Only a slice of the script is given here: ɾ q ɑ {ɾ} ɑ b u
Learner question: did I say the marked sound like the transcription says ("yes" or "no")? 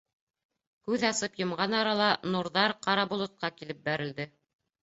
yes